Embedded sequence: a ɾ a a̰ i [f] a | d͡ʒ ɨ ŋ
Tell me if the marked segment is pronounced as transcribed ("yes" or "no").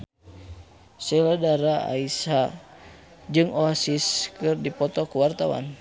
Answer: no